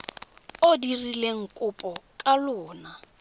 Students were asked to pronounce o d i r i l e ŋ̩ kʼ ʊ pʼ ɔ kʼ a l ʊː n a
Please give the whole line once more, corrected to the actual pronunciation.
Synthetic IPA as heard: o d i r i l e ŋ̩ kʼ ʊ pʼ ɔ kʼ a l ʊː n a